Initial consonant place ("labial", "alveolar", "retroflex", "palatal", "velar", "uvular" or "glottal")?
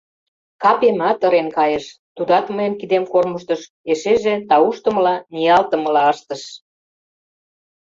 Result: velar